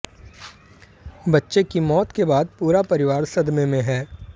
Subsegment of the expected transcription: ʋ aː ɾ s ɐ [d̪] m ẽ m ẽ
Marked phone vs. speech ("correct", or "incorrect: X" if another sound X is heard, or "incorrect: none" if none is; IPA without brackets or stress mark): correct